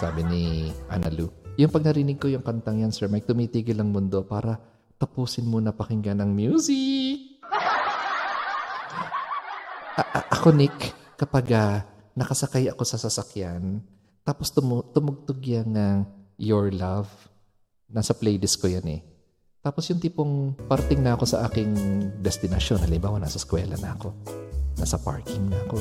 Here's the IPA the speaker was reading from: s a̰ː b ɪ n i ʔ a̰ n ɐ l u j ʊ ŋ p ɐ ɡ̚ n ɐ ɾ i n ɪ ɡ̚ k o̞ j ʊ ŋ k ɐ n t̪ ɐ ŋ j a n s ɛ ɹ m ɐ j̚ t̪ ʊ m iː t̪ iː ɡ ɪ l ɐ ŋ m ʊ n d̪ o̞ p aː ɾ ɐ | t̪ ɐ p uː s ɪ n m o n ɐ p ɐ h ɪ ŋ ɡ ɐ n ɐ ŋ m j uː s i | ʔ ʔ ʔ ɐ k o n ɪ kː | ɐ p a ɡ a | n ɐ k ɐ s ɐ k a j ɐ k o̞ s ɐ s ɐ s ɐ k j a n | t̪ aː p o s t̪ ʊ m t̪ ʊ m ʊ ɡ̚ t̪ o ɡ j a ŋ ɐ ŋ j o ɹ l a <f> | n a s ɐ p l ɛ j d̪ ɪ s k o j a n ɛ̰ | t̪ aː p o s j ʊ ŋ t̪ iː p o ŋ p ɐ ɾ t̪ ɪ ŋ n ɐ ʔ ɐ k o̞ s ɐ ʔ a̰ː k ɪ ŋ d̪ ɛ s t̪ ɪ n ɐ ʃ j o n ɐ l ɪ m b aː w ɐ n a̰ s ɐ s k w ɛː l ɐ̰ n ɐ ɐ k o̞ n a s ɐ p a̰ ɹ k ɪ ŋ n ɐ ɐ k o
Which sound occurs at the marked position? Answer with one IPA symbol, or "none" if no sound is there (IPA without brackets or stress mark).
v